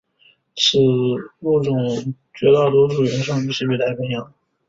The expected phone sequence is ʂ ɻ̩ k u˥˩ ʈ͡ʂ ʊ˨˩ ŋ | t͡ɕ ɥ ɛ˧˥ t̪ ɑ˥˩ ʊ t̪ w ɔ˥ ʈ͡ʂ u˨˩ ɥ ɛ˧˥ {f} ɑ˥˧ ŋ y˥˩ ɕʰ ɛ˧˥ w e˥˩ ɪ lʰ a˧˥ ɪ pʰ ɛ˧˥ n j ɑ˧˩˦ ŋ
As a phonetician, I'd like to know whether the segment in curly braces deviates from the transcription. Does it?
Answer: yes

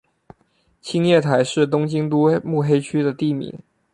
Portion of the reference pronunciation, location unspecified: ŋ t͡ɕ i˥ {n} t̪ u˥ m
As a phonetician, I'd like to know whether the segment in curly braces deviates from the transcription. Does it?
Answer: yes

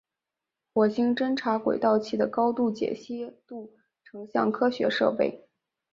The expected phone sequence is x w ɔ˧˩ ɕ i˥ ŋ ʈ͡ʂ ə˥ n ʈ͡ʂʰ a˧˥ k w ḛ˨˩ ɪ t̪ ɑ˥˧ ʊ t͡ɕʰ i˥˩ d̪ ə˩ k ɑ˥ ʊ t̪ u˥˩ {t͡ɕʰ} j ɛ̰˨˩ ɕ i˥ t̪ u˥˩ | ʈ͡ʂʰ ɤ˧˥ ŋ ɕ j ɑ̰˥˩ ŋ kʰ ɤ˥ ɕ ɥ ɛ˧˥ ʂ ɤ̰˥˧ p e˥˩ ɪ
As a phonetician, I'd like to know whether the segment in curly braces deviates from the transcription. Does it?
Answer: yes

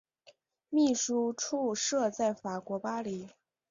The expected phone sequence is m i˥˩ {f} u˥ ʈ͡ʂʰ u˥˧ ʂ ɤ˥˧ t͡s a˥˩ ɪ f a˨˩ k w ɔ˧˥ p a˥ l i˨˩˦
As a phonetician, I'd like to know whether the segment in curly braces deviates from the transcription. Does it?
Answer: yes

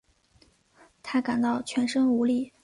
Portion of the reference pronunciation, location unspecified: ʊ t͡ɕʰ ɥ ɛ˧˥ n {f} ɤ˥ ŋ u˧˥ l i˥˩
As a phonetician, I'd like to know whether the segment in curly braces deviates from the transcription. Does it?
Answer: yes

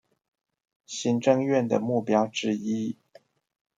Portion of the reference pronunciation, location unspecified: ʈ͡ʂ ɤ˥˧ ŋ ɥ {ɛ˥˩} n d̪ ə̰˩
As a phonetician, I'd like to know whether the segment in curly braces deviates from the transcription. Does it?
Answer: no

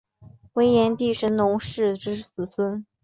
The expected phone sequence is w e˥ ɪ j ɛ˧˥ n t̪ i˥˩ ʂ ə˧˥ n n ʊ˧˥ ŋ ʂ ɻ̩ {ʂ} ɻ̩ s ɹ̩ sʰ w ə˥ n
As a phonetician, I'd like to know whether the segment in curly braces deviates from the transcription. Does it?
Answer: yes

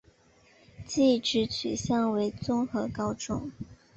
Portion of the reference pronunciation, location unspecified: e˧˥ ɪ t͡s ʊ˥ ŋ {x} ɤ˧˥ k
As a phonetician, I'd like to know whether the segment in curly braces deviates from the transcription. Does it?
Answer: no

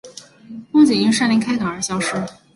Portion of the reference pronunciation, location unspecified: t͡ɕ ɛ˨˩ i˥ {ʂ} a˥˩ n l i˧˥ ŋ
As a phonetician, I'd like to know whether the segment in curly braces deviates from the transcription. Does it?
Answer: no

